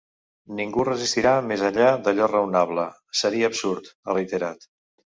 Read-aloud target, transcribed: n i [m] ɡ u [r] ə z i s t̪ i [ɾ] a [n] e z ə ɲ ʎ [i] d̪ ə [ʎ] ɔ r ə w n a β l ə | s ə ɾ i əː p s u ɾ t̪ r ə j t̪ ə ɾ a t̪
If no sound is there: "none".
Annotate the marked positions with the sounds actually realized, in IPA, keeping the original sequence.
ŋ, r, ɾ, m, a, ʎ

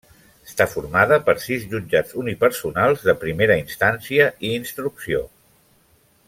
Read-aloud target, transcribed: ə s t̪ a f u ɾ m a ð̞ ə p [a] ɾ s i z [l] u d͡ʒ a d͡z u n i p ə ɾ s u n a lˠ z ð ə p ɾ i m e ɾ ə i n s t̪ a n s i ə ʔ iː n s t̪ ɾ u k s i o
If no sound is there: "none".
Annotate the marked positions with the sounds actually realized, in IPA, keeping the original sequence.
ə, ʎ

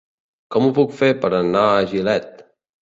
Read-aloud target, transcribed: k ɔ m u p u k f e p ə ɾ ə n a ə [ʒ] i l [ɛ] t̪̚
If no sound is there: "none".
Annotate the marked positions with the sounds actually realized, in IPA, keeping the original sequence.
ʒ, ɛ

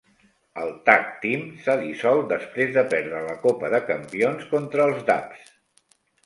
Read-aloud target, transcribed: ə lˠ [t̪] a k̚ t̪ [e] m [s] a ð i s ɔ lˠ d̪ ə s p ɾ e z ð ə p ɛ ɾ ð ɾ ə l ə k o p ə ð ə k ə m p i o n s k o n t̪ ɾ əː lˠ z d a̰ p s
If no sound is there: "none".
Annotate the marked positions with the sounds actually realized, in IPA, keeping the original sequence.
t̪, i, s

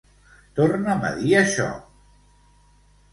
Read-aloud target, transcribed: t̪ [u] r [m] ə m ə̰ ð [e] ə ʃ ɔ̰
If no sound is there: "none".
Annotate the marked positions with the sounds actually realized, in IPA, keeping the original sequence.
o, n, i

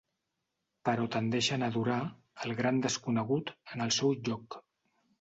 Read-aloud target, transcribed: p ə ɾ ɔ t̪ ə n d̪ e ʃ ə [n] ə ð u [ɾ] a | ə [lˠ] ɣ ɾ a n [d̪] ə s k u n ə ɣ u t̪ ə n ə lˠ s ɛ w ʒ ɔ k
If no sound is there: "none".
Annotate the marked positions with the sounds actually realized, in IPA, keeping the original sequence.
n, ɾ, lˠ, d̪

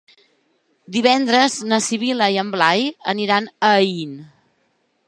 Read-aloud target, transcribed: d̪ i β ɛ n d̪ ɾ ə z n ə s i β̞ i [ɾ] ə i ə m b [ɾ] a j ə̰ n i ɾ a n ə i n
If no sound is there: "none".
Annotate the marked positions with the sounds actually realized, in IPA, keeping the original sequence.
l, l

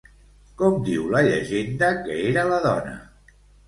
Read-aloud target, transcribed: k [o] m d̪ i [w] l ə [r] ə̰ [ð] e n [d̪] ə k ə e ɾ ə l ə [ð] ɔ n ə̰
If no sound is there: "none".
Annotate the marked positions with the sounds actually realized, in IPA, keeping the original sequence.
ɔ, w, ʎ, ʒ, d̪, ð

